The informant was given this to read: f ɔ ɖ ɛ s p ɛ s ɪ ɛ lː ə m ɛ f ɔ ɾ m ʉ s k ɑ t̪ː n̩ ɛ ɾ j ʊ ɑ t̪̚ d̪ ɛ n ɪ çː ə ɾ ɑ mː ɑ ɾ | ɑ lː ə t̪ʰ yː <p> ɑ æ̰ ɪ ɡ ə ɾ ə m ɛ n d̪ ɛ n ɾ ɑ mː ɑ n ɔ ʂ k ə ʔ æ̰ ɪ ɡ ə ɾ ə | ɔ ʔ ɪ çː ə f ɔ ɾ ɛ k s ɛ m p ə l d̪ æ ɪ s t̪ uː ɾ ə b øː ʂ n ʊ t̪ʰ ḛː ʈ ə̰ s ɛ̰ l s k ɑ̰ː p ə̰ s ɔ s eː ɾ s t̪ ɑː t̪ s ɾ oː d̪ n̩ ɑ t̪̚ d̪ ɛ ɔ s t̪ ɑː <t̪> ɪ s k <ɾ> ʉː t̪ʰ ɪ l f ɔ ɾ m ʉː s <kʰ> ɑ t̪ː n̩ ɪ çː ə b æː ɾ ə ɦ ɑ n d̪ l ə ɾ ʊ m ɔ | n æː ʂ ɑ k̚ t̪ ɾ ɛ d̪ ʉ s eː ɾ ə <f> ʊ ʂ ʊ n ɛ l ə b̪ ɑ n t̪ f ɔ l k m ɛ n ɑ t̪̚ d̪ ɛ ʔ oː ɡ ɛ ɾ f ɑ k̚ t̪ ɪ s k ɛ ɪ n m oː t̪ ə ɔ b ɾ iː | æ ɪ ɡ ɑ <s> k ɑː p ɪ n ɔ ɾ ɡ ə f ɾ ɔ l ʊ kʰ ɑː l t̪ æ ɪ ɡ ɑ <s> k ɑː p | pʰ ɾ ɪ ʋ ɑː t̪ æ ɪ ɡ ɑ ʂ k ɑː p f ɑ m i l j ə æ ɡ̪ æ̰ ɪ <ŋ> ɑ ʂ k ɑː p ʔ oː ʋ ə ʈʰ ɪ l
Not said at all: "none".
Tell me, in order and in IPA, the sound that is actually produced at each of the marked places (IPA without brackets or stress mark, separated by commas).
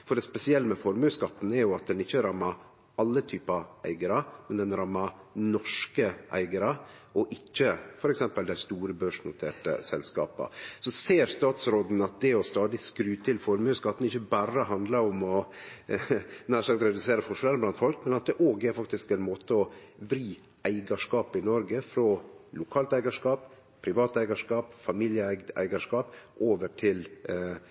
p, d̪, ɾ, k, f, ʂ, ʂ, ɡ